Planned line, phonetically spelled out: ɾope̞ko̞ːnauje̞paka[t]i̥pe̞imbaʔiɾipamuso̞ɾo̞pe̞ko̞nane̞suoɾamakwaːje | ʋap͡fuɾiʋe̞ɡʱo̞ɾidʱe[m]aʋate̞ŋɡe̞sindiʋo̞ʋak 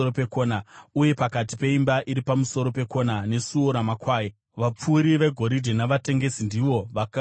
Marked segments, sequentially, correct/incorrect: correct, incorrect

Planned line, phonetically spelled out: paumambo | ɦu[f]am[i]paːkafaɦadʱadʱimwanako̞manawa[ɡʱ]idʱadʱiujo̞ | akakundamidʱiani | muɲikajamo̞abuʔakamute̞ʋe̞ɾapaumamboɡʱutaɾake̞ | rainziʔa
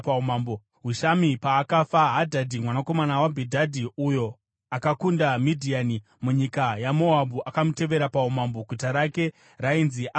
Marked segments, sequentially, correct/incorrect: incorrect, correct, incorrect

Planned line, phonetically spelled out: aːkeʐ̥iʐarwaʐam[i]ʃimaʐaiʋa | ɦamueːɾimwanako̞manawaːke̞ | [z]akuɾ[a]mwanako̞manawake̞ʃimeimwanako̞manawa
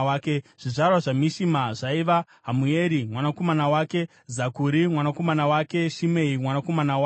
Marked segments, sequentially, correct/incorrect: correct, correct, incorrect

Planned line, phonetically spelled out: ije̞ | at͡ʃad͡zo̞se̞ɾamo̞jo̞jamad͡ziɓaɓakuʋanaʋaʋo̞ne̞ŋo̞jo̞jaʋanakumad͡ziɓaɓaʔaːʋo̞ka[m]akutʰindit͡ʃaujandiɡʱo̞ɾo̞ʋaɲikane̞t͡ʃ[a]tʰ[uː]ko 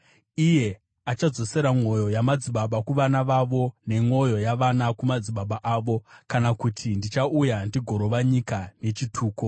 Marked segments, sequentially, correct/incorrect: incorrect, incorrect, correct

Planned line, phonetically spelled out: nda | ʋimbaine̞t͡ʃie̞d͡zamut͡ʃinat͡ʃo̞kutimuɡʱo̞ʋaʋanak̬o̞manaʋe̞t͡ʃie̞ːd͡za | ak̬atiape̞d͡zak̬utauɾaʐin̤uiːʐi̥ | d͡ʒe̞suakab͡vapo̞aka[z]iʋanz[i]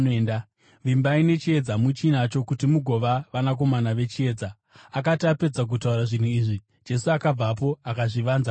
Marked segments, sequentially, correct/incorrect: incorrect, incorrect

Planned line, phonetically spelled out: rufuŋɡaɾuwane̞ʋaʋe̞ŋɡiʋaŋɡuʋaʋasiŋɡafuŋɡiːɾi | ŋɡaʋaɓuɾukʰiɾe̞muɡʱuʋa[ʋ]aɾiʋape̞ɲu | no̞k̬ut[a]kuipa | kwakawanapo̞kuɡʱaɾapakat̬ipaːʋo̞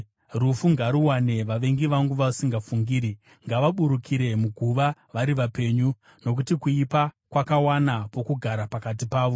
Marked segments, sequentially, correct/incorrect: correct, incorrect

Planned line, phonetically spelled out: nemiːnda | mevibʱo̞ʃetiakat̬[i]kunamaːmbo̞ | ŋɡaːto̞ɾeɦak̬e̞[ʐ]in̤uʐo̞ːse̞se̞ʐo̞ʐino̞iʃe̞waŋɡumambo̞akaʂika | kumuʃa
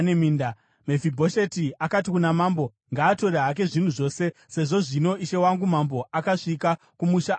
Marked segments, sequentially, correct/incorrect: correct, correct

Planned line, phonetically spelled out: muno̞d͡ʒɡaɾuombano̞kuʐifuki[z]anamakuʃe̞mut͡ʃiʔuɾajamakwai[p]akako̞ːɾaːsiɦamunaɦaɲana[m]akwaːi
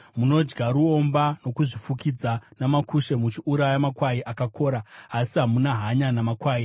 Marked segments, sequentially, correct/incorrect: incorrect, incorrect, correct

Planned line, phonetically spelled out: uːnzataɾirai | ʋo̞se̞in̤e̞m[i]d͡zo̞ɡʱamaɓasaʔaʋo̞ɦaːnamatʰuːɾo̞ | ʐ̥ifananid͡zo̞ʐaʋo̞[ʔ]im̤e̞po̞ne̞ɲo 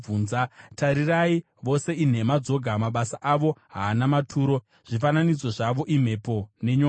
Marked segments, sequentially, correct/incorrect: incorrect, correct

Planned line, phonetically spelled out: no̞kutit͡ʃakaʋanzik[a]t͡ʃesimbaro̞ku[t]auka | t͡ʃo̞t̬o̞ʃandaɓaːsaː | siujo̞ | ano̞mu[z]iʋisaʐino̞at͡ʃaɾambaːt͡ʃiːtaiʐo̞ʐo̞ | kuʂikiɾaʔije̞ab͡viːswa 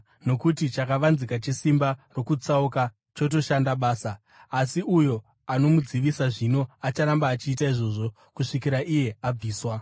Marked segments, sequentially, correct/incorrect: correct, incorrect, incorrect

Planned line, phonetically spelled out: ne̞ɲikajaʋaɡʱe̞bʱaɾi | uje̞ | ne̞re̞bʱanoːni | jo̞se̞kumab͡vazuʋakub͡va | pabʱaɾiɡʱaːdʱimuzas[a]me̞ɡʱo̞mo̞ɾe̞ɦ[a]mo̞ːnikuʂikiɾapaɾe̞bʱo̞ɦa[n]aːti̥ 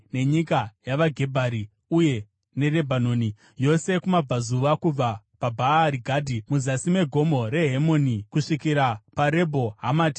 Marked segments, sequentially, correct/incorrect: incorrect, incorrect, incorrect

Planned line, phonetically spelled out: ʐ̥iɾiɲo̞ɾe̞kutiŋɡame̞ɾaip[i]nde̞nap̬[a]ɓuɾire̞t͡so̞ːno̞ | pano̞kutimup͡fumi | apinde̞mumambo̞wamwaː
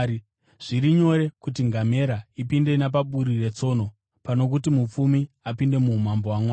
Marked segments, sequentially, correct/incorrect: correct, correct

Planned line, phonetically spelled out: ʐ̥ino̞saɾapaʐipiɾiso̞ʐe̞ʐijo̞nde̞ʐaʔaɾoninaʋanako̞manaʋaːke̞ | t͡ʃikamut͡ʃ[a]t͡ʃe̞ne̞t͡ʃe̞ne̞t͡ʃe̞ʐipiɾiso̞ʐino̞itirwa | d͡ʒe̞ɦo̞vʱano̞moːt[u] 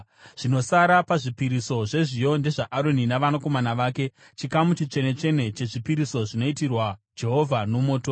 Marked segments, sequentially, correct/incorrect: incorrect, incorrect

